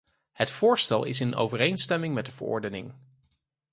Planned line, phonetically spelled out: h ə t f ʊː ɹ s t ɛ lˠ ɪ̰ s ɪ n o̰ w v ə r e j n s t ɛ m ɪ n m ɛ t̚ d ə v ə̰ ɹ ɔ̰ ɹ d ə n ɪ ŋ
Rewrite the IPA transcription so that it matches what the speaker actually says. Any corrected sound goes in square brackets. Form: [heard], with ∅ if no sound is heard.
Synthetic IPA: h ə t f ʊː ɹ s t ɛ lˠ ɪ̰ s ɪ n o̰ w v ə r e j n s t ɛ m ɪ [ŋ] m ɛ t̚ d ə v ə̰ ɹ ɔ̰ ɹ d ə n ɪ ŋ

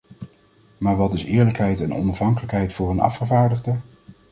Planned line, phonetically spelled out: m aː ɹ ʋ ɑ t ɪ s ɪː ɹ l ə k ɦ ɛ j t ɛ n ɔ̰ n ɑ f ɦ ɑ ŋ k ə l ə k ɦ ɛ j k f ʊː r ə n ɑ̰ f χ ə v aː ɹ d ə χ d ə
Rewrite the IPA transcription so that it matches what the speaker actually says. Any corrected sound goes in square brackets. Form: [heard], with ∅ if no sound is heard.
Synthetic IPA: m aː ɹ ʋ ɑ t ɪ s ɪː ɹ l ə k ɦ ɛ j t ɛ n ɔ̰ n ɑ f ɦ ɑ ŋ k ə l ə k ɦ ɛ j [t] f ʊː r ə n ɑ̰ f χ ə v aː ɹ d ə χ d ə

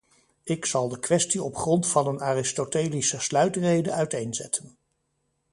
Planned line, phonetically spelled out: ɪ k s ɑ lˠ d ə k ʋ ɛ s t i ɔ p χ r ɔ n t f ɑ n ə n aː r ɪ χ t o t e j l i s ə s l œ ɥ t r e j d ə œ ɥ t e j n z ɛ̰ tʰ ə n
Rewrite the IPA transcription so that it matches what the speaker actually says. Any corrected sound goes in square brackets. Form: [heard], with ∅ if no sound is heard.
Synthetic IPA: ɪ k s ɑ lˠ d ə k ʋ ɛ s t i ɔ p χ r ɔ n t f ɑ n ə n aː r ɪ [s] t o t e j l i s ə s l œ ɥ t r e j d ə œ ɥ t e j n z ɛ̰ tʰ ə n

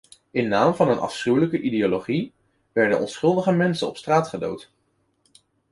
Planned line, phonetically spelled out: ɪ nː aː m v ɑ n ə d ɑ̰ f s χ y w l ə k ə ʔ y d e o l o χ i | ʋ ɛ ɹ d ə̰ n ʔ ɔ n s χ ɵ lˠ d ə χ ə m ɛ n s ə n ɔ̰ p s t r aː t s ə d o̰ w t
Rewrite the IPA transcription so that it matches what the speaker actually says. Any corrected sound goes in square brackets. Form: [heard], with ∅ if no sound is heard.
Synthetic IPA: ɪ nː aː m v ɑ n ə [n] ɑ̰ f s χ y w l ə k ə ʔ [i] d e o l o χ i | ʋ ɛ ɹ d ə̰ n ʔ ɔ n s χ ɵ lˠ d ə χ ə m ɛ n s ə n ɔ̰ p s t r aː t [χ] ə d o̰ w t

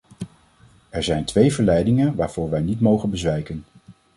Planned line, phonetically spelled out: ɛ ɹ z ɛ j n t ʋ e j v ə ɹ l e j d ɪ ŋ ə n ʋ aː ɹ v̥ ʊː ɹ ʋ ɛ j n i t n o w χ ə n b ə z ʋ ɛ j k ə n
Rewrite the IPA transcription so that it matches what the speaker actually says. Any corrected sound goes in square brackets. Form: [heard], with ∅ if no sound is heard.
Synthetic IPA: ɛ ɹ z ɛ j n t ʋ e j v ə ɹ l [ɛ] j d ɪ ŋ ə n ʋ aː ɹ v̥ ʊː ɹ ʋ ɛ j n i t [m] o w χ ə n b ə z ʋ ɛ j k ə n

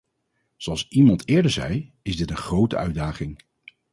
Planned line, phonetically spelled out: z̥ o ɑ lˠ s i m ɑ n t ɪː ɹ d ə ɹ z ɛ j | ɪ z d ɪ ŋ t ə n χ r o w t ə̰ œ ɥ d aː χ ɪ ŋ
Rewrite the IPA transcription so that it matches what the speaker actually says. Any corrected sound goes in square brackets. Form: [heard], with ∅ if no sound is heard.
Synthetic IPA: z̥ o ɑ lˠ s i m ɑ n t ɪː ɹ d ə ɹ z ɛ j | ɪ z d ɪ [∅] t ə n χ r o w t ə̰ œ ɥ d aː χ ɪ ŋ

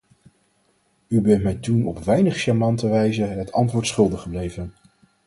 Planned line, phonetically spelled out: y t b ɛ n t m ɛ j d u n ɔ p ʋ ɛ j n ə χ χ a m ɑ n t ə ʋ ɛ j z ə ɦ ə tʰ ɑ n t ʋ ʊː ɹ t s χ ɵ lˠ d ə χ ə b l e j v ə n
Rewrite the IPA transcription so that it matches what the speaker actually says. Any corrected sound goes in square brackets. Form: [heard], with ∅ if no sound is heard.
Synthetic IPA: y [∅] b ɛ n t m ɛ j [t] u n ɔ p ʋ ɛ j n ə χ [ʃ] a m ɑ n t ə ʋ ɛ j z ə ɦ ə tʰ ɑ n t ʋ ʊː ɹ t s χ ɵ lˠ d ə χ ə b l e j v ə n

